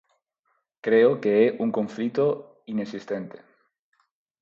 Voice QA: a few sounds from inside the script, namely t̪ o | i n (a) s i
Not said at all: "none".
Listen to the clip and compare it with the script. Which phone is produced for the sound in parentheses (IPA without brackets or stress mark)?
e